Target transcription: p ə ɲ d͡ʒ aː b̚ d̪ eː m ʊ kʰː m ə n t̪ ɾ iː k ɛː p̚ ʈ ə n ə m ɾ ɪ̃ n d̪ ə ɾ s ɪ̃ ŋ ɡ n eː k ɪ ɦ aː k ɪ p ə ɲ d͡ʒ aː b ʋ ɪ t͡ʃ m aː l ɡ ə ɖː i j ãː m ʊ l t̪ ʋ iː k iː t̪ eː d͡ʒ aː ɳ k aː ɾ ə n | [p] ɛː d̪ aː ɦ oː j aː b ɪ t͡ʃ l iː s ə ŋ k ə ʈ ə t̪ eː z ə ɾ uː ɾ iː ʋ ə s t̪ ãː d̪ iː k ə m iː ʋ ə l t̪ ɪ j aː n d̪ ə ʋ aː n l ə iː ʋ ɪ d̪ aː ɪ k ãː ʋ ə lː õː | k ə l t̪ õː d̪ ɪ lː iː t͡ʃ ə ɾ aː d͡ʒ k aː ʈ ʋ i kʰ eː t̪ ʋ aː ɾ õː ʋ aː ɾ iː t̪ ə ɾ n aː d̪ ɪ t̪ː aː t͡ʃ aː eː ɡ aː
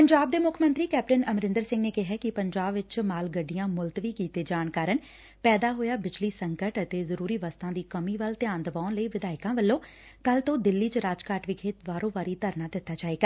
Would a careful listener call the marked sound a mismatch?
no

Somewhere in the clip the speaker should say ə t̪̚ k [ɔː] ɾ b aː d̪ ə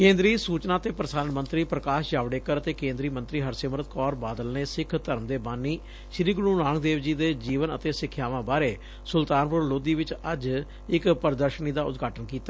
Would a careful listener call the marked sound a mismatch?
no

